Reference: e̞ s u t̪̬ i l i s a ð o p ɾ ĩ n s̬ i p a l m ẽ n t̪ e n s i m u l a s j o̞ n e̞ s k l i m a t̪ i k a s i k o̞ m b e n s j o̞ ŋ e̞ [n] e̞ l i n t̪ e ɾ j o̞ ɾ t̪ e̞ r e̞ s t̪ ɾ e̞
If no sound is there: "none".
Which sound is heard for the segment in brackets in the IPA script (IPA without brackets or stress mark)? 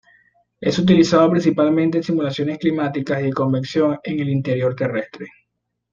ŋ